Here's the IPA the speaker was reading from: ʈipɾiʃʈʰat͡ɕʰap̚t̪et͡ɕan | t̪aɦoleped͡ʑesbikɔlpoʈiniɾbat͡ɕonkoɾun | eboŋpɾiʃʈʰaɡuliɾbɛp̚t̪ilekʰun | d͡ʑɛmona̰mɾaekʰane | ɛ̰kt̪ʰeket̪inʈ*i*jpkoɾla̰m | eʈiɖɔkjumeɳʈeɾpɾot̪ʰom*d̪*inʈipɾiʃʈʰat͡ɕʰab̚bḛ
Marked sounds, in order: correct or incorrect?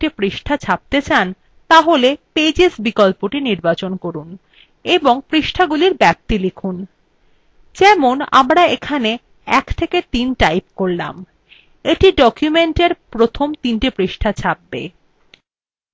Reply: incorrect, incorrect

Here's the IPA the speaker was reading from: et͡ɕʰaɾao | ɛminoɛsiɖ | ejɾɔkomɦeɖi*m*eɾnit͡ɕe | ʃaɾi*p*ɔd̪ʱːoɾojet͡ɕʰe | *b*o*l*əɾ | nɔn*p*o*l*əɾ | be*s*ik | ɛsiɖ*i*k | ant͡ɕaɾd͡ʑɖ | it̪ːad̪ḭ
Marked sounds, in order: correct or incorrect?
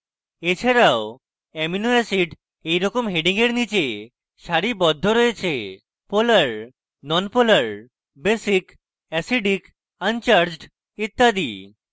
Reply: incorrect, incorrect, incorrect, correct, correct, correct, correct, correct

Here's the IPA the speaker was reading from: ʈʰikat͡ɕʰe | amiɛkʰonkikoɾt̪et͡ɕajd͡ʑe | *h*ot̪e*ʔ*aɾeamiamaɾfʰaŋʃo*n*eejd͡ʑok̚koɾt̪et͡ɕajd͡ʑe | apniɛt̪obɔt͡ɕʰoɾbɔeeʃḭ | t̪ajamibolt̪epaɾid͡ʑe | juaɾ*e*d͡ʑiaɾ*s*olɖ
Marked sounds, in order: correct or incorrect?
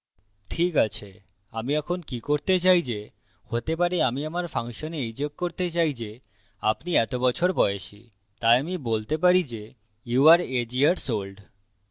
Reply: correct, incorrect, correct, correct, correct

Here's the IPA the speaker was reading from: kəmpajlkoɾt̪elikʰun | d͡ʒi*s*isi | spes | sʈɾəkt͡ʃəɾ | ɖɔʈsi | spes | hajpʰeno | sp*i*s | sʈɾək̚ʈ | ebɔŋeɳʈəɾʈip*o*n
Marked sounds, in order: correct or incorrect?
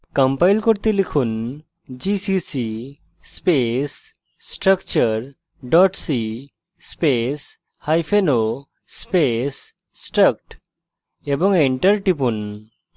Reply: correct, incorrect, incorrect

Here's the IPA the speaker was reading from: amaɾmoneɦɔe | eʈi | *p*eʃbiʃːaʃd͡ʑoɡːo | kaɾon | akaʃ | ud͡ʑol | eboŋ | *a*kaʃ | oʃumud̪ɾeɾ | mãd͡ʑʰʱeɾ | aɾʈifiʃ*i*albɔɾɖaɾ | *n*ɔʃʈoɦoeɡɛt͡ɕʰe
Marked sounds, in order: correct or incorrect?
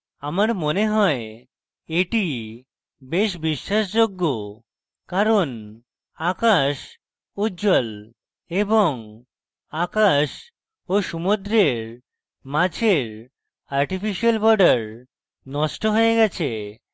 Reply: incorrect, correct, correct, correct

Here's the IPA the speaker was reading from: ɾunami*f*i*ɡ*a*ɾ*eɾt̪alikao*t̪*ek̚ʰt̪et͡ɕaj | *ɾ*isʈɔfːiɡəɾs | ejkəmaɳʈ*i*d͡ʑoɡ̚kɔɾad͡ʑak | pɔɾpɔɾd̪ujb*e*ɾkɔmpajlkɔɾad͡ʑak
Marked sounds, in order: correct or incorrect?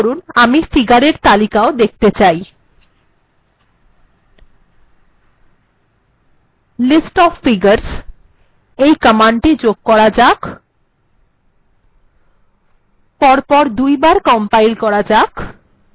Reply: correct, correct, correct, incorrect, incorrect, correct, incorrect

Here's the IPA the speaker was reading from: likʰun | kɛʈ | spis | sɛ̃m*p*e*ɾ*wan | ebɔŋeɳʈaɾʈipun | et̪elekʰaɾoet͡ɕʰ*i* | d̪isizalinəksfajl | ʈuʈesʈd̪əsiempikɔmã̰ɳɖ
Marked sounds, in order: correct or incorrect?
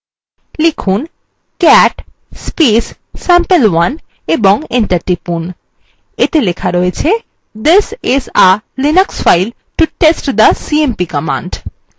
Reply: correct, incorrect, incorrect

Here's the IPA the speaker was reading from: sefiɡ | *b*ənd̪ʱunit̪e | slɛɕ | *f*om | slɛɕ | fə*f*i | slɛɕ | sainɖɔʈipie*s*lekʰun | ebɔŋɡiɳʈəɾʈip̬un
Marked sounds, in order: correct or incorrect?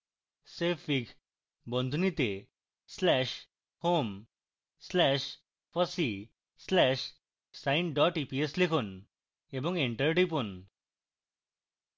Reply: correct, incorrect, incorrect, correct

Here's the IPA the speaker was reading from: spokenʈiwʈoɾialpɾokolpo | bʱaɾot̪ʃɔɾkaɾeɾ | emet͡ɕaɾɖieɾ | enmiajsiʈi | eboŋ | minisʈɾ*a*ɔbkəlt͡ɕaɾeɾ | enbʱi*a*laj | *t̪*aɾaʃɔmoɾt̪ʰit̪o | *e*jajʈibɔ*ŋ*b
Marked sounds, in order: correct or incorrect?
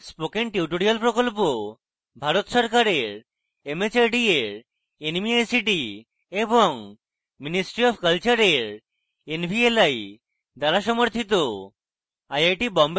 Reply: incorrect, incorrect, incorrect, incorrect, incorrect

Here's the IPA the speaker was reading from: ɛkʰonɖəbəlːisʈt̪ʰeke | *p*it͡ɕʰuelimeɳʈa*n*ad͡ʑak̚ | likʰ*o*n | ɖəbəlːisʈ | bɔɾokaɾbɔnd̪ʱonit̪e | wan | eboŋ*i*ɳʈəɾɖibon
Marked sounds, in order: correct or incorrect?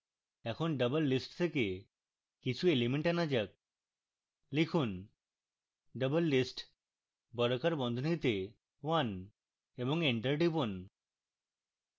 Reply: incorrect, correct, incorrect, incorrect

